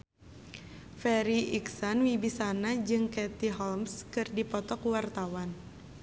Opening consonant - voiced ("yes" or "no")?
no